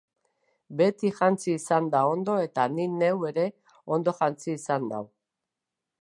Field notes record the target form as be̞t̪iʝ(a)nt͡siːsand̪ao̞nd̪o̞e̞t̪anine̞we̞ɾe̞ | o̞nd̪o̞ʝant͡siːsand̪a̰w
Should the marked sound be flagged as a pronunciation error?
no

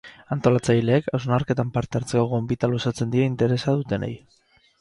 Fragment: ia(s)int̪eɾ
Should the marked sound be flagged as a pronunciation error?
yes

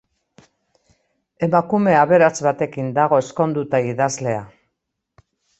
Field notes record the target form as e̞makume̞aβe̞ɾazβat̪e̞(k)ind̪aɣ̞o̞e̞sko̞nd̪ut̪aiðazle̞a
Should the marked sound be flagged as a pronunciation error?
no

